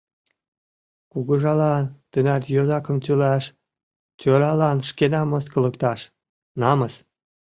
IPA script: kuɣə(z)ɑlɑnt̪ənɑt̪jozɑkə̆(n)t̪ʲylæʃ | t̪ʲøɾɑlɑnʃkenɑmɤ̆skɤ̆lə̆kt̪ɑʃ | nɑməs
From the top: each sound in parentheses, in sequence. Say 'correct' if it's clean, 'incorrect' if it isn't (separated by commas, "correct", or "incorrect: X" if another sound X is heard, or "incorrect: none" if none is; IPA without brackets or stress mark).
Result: incorrect: ʒ, incorrect: m